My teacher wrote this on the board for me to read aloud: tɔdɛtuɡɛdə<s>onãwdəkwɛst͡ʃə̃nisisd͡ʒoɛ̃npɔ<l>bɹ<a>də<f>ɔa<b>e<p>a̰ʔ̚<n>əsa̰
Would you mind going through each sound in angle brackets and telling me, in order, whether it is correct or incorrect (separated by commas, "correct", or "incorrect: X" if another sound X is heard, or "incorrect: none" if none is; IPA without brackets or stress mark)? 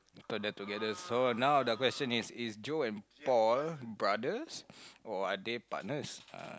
correct, correct, correct, incorrect: s, incorrect: d, correct, correct